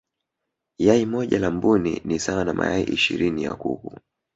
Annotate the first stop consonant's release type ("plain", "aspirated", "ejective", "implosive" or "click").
implosive